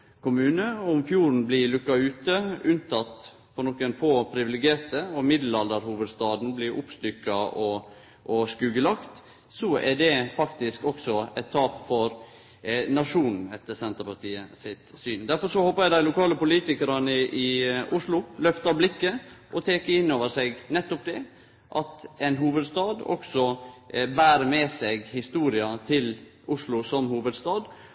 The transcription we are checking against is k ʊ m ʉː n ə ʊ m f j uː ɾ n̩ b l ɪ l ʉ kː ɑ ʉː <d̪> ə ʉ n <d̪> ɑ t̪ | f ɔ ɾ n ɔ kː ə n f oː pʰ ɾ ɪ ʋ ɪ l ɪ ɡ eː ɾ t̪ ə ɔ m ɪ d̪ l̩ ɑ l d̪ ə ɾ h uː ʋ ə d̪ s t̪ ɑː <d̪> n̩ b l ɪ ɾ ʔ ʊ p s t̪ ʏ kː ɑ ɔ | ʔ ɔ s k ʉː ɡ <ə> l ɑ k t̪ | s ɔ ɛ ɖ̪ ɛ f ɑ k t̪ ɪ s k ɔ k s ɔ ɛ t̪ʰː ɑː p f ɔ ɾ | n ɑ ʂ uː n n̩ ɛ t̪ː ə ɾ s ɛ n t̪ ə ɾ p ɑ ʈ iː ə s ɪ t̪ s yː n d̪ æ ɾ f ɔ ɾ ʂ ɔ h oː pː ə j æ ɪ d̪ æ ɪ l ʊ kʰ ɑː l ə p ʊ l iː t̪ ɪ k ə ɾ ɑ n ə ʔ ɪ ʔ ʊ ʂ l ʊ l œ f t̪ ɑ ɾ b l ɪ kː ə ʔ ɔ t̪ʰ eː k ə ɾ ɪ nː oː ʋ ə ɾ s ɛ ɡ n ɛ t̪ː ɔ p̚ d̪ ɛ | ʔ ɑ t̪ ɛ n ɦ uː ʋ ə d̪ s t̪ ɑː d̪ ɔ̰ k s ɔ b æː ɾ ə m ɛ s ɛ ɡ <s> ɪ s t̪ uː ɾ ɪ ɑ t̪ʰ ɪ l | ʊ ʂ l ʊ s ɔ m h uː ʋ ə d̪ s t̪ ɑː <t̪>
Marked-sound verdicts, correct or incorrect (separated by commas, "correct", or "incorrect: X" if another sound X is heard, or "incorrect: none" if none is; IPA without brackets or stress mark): incorrect: t̪, incorrect: t̪, correct, correct, incorrect: h, incorrect: d̪